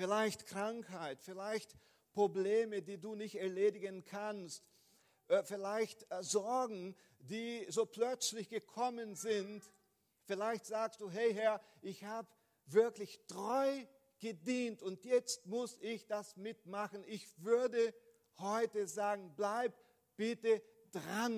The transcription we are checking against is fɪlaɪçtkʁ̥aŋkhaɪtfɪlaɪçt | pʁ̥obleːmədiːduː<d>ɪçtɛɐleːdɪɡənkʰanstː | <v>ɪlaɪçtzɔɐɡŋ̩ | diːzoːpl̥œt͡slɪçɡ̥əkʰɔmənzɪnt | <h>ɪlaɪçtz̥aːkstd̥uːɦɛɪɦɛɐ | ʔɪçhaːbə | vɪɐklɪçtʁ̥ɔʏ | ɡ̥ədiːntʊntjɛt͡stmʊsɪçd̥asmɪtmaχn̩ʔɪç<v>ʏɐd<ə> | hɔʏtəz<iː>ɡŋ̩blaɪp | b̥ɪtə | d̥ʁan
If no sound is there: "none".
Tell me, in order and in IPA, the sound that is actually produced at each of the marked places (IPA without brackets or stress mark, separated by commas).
n, f, f, v, ə, aː